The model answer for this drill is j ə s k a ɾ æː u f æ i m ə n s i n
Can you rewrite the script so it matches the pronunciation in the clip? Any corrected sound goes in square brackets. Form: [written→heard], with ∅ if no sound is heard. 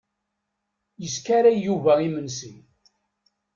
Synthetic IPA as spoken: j ə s k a ɾ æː u [f→v] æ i m ə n s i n